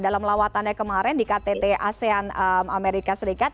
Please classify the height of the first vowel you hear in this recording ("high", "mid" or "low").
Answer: low